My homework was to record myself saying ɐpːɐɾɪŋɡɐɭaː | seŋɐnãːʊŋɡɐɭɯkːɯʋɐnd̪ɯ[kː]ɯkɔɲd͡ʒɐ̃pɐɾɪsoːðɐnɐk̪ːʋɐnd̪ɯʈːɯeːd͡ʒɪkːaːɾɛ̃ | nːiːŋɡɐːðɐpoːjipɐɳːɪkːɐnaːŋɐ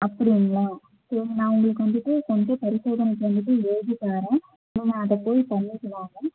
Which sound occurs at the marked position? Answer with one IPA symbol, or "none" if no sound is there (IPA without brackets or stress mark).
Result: ʈː